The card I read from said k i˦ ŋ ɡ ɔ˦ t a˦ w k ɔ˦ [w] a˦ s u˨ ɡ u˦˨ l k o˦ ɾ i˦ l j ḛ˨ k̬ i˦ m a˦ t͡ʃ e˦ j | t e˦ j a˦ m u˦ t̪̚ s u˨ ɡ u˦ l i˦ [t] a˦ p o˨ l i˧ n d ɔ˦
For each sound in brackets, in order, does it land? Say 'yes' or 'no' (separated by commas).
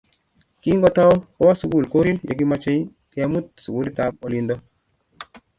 yes, yes